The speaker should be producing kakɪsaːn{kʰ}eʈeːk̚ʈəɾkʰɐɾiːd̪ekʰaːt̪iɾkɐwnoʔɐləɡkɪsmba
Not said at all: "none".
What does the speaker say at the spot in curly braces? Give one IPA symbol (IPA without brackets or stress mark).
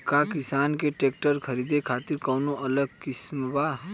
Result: k